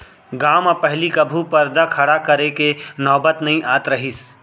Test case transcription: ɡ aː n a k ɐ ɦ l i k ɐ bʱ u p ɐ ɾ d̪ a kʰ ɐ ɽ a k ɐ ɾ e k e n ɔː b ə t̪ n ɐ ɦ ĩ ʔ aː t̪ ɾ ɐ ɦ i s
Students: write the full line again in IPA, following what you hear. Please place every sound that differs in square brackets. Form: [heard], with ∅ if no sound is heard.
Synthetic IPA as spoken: ɡ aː [m] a [p] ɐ ɦ l i k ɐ bʱ u p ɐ ɾ d̪ a kʰ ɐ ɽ a k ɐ ɾ e k e n ɔː b ə t̪ n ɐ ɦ ĩ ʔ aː t̪ ɾ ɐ ɦ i s